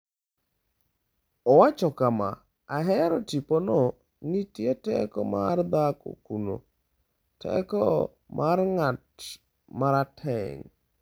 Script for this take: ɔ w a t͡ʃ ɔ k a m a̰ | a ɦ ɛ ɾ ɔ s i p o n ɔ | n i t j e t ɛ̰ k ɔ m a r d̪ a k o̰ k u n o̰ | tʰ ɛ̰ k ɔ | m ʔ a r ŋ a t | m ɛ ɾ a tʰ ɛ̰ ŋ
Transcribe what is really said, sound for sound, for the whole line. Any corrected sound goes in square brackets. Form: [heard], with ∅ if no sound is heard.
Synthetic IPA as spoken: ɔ w a t͡ʃ ɔ k a m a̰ | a ɦ ɛ ɾ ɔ [t] i p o n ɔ | n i t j e t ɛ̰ k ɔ m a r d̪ a k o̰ k u n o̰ | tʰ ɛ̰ k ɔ | m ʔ a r ŋ a t | m [a] ɾ a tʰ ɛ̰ ŋ